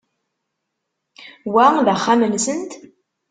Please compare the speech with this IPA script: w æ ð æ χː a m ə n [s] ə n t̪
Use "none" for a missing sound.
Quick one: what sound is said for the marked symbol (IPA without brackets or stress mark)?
s